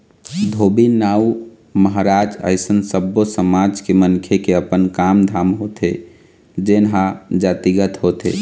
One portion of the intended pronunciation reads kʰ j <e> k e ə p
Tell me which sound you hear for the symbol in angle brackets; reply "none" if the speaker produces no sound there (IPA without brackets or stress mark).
e